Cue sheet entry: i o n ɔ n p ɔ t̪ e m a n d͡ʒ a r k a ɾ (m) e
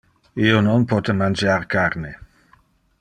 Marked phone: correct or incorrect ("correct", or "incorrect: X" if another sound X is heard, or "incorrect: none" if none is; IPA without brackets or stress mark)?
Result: incorrect: n